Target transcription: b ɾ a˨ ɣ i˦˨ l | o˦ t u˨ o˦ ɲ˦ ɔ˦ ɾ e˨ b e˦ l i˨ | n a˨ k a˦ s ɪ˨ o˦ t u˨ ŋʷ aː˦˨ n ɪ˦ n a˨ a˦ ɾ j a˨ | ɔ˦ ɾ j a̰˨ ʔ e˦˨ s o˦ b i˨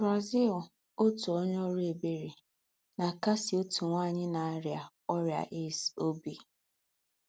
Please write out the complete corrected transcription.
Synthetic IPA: b ɾ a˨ z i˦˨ l | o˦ t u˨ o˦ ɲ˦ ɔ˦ ɾ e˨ b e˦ ɾ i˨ | n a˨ k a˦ s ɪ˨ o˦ t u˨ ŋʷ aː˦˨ ɲ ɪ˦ n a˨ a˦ ɾ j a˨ | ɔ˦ ɾ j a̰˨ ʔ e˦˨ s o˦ b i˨

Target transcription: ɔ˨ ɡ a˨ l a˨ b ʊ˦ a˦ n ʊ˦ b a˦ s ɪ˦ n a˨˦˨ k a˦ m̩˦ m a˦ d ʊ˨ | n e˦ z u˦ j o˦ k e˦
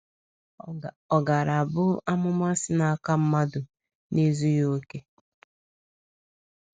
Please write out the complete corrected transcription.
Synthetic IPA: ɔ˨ ɡ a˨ ɾ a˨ b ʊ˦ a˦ m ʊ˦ m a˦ s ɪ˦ n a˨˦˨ k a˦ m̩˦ m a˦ d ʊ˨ | n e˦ z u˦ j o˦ k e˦

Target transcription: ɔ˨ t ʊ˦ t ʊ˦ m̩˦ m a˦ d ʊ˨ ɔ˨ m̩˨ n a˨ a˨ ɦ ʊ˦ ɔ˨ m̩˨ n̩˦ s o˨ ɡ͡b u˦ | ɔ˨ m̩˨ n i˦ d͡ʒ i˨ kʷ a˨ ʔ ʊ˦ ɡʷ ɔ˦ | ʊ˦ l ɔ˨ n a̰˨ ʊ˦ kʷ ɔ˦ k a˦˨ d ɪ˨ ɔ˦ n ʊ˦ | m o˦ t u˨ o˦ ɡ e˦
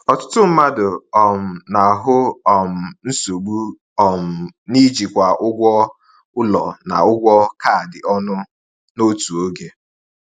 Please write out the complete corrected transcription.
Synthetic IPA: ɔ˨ t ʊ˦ t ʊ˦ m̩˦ m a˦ d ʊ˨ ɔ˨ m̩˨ n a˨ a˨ ɦ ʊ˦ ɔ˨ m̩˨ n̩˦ s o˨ ɡ͡b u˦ | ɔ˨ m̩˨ n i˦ d͡ʒ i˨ kʷ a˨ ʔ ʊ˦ ɡʷ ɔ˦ | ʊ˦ l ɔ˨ n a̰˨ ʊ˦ ɡʷ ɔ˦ k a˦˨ d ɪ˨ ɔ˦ n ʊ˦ | n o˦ t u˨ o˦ ɡ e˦

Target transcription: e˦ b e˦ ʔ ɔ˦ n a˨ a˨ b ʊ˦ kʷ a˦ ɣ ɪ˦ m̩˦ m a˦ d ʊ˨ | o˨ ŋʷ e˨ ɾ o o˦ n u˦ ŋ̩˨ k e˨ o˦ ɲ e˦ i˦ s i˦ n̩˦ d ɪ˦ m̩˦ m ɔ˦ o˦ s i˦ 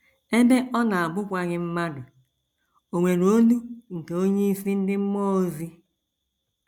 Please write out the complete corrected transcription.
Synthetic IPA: e˦ b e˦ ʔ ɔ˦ n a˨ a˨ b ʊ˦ kʷ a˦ ɣ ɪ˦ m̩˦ m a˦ d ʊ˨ | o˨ ŋʷ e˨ ɾ o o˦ n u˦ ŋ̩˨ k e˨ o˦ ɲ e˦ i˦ s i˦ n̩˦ d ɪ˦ m̩˦ m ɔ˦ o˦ z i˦

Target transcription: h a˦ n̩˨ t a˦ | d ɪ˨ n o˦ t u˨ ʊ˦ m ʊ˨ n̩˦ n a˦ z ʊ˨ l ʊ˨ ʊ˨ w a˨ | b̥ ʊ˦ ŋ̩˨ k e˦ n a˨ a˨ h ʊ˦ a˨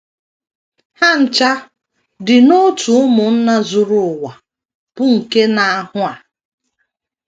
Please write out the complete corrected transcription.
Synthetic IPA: h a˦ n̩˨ t͡ʃ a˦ | d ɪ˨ n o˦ t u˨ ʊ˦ m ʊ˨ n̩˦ n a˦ z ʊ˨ ɾ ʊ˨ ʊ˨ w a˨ | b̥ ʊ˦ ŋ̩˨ k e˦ n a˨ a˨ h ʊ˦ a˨

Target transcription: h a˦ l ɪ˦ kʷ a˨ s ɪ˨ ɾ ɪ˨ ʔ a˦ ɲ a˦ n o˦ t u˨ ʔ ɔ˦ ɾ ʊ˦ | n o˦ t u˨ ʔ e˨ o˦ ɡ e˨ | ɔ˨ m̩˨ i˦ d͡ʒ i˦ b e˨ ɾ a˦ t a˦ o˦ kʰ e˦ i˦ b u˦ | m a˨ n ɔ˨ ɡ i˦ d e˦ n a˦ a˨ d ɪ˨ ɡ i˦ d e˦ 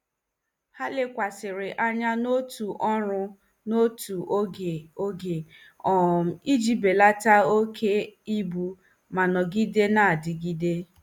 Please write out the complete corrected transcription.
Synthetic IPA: h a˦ l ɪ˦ kʷ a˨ s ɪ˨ ɾ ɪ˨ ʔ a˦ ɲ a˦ n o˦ t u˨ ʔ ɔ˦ ɾ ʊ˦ | n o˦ t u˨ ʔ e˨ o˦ ɡ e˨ | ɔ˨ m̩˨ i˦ d͡ʒ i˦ b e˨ l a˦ t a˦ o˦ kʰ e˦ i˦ b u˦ | m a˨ n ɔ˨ ɡ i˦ d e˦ n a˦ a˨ d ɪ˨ ɡ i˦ d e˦

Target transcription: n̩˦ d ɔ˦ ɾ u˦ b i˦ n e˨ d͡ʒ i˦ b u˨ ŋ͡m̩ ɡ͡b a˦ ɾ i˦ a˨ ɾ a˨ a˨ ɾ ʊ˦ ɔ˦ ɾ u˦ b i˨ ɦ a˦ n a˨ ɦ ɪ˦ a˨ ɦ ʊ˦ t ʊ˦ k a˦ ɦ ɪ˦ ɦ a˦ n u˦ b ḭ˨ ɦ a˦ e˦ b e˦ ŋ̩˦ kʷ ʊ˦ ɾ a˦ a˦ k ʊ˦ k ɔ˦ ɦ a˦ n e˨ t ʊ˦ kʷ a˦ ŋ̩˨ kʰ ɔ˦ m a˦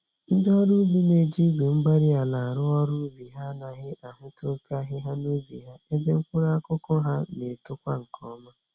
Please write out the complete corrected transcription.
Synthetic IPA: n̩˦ d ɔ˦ ɾ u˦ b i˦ n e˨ d͡ʒ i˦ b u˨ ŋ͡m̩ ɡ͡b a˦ ɾ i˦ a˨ l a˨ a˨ ɾ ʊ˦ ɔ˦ ɾ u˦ b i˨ ɦ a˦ n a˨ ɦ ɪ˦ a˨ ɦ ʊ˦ t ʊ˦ k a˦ ɦ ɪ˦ ɦ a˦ n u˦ b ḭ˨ ɦ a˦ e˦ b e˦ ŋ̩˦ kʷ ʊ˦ ɾ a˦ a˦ k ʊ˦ k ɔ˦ ɦ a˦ n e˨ t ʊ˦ kʷ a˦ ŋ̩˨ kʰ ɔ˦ m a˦

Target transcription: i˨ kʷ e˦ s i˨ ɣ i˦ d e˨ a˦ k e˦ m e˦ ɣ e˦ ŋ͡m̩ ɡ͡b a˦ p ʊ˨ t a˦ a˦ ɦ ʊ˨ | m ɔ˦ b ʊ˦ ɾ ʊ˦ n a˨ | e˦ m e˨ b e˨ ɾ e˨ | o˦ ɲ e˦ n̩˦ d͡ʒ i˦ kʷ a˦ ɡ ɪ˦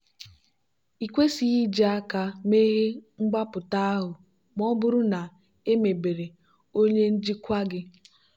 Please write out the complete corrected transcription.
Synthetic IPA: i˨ kʷ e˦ s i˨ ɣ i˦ d͡ʒ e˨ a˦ k a˦ m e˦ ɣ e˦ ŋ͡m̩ ɡ͡b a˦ p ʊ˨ t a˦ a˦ ɦ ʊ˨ | m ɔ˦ b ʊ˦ ɾ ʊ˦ n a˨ | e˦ m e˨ b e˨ ɾ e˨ | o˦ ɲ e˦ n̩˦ d͡ʒ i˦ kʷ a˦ ɡ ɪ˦

